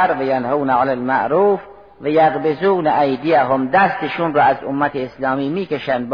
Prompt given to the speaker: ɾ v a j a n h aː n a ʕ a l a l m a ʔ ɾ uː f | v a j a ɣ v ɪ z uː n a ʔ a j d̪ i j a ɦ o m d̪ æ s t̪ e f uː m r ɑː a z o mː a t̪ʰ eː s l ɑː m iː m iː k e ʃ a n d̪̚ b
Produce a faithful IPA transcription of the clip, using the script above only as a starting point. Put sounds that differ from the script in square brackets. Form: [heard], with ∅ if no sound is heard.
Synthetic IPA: ɾ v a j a n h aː n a ʕ a l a l m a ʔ ɾ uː f | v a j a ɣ [b] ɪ z uː n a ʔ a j d̪ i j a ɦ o m d̪ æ s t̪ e [ʃ] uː [n] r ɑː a z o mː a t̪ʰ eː s l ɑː m iː m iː k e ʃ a n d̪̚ b